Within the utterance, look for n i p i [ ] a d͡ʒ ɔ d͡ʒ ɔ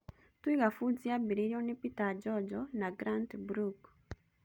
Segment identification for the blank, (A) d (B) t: B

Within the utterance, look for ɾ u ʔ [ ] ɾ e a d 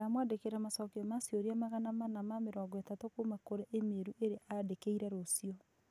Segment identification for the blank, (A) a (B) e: B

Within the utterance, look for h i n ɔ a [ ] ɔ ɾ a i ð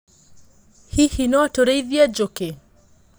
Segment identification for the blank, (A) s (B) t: B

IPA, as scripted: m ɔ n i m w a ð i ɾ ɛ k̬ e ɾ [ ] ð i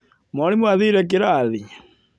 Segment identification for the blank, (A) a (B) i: A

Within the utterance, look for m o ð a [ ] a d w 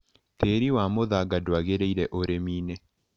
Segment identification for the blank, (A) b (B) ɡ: B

